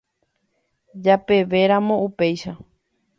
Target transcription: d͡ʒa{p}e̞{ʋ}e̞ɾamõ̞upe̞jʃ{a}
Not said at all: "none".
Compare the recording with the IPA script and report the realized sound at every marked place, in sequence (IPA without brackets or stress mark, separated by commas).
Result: p, ʋ, a